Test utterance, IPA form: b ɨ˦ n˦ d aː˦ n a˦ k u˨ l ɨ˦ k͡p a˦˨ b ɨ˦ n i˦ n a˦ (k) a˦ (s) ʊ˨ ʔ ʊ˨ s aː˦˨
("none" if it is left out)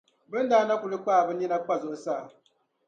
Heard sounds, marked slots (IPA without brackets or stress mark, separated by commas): k͡p, z